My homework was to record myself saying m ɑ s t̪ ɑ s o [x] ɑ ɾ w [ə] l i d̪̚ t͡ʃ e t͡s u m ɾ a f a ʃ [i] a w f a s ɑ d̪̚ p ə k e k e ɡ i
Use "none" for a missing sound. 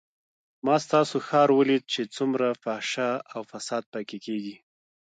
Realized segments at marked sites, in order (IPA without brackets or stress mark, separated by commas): x, ə, a